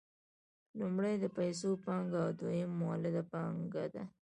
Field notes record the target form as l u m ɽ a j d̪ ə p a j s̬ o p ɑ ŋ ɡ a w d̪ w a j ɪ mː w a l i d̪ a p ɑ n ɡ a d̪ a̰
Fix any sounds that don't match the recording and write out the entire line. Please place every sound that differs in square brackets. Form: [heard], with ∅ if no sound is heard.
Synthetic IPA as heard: l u m ɽ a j d̪ ə p a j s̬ o p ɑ ŋ ɡ a w d̪ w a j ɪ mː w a l [ɪ] d̪ a p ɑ [ŋ] ɡ a d̪ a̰